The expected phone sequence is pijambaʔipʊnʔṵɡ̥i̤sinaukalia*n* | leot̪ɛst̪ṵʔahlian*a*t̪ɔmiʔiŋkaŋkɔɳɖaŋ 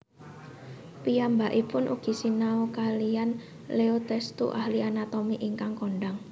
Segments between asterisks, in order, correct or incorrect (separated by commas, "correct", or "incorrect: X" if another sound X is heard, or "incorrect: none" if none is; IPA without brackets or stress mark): correct, correct